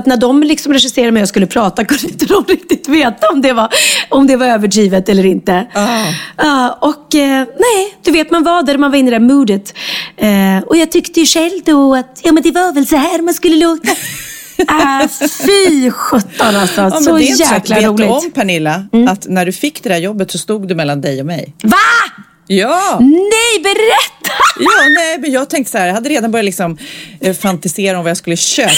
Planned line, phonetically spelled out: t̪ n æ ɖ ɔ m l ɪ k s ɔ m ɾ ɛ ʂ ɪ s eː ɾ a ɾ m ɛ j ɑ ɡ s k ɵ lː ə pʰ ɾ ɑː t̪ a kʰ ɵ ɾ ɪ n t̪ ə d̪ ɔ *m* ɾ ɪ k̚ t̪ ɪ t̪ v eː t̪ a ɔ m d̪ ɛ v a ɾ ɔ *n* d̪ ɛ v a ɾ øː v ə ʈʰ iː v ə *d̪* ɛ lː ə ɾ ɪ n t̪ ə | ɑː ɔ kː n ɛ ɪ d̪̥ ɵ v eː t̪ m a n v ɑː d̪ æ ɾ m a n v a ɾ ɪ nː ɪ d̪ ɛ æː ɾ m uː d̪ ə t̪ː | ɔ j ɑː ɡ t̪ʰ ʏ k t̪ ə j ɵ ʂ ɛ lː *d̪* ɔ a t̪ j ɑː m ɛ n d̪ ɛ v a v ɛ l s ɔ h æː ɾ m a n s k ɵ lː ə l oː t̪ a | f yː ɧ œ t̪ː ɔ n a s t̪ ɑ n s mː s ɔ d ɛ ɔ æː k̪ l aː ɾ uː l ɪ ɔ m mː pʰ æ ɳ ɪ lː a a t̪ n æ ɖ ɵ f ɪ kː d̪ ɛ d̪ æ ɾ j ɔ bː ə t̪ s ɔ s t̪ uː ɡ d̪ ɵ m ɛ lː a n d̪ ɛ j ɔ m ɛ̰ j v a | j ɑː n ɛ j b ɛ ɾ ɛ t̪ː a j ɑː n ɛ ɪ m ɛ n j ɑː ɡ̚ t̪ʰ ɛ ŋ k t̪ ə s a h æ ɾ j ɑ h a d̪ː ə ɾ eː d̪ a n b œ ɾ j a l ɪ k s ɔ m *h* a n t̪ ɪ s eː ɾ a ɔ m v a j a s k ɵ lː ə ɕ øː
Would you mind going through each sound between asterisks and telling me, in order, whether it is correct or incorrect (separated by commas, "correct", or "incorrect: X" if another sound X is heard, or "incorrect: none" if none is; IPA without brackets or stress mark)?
correct, incorrect: m, incorrect: t̪, correct, incorrect: f